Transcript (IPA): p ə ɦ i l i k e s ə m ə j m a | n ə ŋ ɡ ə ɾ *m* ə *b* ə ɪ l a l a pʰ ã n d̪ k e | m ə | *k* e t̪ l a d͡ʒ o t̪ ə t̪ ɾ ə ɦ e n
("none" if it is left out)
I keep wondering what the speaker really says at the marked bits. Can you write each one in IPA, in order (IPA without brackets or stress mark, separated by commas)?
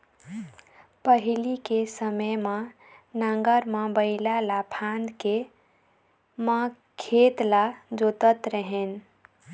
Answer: m, b, kʰ